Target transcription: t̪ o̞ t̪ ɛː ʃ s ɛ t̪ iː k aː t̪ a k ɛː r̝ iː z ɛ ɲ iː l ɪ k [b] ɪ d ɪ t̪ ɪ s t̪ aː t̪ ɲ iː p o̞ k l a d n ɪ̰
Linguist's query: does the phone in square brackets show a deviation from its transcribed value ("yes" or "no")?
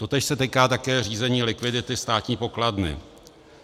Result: yes